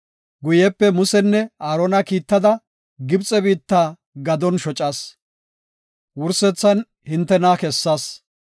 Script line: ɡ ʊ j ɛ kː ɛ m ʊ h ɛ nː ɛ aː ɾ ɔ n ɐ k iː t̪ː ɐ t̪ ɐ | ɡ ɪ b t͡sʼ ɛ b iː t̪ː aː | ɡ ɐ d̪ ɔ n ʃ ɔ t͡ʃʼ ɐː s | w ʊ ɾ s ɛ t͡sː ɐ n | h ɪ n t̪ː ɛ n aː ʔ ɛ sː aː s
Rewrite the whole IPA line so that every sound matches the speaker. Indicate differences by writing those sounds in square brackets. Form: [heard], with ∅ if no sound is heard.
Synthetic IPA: ɡ ʊ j ɛ [pː] ɛ m ʊ [s] ɛ nː ɛ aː ɾ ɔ n ɐ k iː t̪ː ɐ [d̪] ɐ | ɡ ɪ b t͡sʼ ɛ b iː t̪ː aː | ɡ ɐ d̪ ɔ n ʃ ɔ t͡ʃʼ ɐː s | w ʊ ɾ s ɛ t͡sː ɐ n | h ɪ n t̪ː ɛ n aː [k] ɛ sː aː s